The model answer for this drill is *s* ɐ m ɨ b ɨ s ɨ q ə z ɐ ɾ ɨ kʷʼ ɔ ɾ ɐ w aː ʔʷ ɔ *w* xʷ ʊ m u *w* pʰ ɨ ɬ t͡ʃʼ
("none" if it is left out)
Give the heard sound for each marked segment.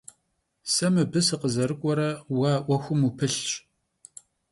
s, none, none

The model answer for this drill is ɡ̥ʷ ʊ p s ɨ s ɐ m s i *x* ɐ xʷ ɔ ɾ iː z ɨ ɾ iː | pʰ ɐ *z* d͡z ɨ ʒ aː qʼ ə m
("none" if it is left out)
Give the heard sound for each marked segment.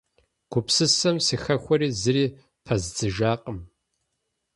x, z

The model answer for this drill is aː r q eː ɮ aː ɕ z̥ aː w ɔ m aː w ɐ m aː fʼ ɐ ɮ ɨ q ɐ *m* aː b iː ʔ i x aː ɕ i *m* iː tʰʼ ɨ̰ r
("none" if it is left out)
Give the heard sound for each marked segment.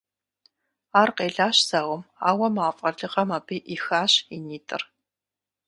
m, n

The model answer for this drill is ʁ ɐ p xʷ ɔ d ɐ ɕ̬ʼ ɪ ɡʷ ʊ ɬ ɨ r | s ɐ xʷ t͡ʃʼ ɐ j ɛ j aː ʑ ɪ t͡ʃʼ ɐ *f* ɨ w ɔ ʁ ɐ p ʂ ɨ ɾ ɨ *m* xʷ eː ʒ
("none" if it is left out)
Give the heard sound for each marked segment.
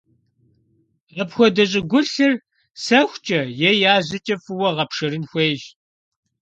f, n

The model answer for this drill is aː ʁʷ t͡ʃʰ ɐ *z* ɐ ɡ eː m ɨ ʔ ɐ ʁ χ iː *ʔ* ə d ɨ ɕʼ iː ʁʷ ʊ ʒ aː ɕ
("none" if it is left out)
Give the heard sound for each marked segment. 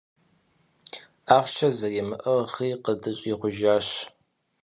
z, q

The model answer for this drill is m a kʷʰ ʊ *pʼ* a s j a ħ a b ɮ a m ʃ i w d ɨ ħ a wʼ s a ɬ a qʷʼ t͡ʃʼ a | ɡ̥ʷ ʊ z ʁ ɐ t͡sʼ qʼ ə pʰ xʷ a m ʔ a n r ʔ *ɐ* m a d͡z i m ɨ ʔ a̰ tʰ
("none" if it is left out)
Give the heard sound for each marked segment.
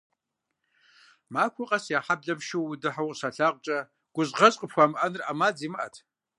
qʼ, a

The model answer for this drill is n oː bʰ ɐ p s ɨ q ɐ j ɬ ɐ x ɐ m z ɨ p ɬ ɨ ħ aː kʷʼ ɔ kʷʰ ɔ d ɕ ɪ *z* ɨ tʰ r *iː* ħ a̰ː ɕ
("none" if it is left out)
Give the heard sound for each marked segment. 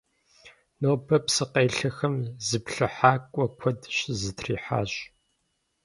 z, iː

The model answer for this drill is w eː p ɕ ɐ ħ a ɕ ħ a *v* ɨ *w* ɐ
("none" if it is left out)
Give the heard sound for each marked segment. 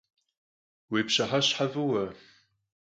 v, w

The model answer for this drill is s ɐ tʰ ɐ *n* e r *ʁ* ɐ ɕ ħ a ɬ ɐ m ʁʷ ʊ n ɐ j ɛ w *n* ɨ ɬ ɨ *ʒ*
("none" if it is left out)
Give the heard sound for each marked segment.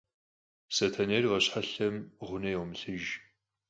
n, ʁ, m, ʒ

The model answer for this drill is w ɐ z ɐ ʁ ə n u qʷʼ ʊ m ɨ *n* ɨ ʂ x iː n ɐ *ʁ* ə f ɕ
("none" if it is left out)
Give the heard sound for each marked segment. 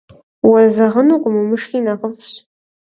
m, ʁ

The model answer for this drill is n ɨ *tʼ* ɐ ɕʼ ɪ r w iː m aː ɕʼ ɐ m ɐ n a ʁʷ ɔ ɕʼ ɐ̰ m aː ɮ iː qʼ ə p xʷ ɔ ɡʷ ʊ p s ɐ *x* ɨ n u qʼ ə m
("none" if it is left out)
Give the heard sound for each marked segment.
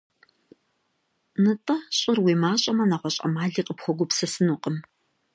tʼ, s

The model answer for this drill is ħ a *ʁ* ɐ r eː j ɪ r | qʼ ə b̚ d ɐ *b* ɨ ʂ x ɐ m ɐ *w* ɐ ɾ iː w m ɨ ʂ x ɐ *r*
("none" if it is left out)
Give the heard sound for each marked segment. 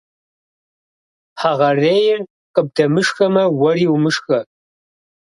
ʁ, m, w, none

